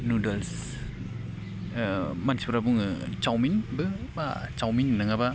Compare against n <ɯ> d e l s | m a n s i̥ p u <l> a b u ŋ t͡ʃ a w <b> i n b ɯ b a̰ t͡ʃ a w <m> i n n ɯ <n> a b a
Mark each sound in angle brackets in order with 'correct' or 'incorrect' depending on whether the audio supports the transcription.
incorrect, incorrect, incorrect, correct, incorrect

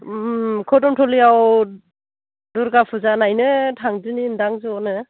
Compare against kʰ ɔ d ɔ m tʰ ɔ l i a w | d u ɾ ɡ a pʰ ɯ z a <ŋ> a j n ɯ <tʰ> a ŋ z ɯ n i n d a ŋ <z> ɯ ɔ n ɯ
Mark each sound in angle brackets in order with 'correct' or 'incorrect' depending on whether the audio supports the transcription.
incorrect, correct, correct

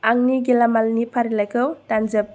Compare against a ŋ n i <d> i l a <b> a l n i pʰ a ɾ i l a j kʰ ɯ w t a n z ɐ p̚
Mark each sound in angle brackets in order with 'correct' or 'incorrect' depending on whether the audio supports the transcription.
incorrect, incorrect

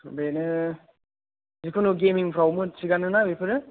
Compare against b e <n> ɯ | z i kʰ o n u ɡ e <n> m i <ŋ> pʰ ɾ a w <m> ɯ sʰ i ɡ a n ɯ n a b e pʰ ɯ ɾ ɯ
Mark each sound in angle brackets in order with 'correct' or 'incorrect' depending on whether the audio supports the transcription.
correct, incorrect, correct, correct

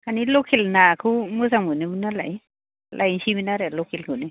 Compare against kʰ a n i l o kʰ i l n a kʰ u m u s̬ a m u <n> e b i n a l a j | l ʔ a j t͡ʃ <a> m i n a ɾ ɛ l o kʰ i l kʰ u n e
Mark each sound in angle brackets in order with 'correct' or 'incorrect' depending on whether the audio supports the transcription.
correct, incorrect

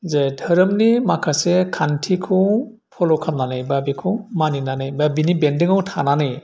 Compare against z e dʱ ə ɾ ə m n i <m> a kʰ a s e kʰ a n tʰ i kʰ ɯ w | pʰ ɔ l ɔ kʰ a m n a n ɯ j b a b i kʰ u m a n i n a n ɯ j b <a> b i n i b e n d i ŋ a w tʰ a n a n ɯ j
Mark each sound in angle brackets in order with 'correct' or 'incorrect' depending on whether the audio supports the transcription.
correct, correct

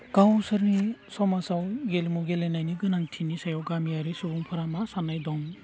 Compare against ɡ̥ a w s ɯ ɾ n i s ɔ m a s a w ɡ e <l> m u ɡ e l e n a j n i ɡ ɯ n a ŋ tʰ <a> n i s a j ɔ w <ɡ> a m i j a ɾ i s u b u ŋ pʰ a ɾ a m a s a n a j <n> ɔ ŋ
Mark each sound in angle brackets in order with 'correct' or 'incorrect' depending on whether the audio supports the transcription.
correct, incorrect, correct, incorrect

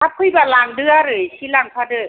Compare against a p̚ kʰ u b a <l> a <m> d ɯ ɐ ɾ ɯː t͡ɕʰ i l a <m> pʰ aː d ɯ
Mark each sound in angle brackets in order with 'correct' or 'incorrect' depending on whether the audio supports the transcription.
correct, incorrect, incorrect

